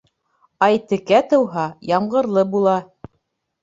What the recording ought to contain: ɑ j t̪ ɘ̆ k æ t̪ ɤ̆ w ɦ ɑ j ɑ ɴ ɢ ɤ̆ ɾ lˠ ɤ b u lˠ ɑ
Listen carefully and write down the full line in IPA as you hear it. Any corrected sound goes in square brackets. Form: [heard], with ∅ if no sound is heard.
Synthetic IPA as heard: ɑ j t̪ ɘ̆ k æ t̪ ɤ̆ w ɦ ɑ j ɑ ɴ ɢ ɤ̆ ɾ lˠ ɤ b u lˠ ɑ